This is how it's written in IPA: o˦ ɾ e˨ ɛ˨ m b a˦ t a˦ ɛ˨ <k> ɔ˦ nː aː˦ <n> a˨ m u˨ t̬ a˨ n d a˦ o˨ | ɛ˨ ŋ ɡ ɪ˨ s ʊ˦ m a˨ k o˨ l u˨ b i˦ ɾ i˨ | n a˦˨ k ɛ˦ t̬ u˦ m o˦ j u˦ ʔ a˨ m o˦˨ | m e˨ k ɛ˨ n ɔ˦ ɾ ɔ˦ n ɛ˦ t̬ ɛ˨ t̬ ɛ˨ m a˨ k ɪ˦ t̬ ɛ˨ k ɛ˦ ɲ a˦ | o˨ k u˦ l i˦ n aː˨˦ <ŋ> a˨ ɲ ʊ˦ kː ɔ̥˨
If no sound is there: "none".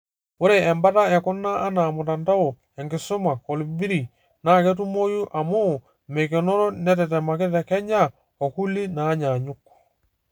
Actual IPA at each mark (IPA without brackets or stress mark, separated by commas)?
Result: k, n, ɲ